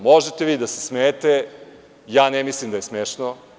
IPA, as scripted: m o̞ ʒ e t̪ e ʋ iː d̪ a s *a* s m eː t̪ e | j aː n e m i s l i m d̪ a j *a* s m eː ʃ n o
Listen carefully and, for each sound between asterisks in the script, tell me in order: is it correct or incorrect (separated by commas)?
incorrect, incorrect